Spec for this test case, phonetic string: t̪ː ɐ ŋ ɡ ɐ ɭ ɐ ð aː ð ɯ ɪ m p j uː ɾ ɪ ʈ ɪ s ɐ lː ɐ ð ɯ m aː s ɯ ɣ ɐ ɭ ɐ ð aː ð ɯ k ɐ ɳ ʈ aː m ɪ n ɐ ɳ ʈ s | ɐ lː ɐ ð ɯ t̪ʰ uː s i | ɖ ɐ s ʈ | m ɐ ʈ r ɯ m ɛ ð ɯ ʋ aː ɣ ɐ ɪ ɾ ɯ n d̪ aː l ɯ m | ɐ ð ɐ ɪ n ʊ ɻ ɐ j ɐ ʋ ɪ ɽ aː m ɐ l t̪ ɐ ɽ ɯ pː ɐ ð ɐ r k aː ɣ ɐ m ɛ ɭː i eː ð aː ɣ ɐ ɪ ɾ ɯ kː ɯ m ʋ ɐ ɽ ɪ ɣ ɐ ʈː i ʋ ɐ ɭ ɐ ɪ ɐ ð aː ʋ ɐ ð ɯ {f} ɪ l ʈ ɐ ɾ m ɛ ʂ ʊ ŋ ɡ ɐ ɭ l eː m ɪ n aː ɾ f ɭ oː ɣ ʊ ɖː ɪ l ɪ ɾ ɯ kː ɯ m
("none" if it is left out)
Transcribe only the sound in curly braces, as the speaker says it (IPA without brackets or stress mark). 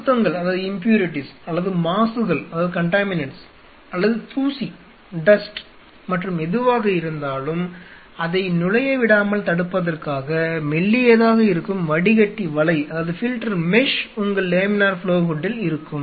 f